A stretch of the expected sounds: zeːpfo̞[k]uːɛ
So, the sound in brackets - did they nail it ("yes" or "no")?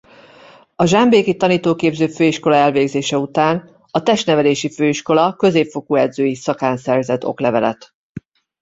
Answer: yes